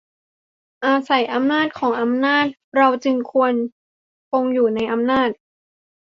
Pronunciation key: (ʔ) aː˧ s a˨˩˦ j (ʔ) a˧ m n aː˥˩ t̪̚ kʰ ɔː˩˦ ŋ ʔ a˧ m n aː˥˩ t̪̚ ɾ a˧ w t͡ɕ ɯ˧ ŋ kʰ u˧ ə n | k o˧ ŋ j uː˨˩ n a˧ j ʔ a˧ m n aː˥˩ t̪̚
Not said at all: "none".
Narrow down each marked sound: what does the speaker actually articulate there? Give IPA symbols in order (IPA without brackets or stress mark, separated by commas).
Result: ʔ, ʔ